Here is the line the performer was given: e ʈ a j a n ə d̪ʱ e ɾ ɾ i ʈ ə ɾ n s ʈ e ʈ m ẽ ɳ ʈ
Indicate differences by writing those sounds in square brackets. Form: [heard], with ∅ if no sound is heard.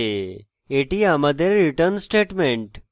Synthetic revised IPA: e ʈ [i] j a [m] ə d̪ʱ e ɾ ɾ i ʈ ə ɾ n s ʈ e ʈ m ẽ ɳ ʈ